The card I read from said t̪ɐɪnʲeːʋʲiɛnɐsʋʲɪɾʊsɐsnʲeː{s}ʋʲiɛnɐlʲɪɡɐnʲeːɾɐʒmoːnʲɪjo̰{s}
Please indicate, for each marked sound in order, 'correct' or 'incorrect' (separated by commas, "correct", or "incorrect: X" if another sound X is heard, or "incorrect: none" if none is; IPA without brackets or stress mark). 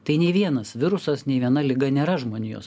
incorrect: none, correct